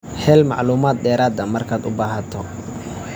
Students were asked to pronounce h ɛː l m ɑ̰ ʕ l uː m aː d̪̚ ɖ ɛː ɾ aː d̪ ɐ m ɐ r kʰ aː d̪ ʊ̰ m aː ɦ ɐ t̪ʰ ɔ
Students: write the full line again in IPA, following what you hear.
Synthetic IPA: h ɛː l m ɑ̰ ʕ l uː m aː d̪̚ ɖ ɛː ɾ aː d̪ ɐ m ɐ r kʰ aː d̪ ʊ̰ b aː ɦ ɐ t̪ʰ ɔ